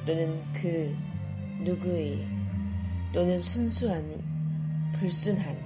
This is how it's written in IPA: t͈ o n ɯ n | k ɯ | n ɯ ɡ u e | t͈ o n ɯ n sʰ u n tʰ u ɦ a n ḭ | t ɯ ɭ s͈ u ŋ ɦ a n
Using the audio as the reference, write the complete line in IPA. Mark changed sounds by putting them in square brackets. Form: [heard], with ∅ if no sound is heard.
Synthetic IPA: t͈ o n ɯ n | k ɯ | n [u] ɡ u e | t͈ o n ɯ n sʰ u n [sʰ] u ɦ a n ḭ | [p] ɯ ɭ s͈ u [n] ɦ a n